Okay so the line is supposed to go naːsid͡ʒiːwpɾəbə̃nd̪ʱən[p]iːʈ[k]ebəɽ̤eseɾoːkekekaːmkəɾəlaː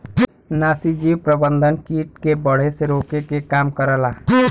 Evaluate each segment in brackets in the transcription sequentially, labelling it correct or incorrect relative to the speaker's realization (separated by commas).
incorrect, correct